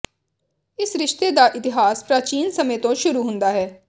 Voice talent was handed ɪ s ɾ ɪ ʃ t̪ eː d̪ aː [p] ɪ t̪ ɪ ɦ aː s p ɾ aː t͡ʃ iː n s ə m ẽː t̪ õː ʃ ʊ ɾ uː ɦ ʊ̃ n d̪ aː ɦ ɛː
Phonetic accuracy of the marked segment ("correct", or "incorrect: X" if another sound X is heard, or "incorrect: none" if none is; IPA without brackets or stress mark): incorrect: ʔ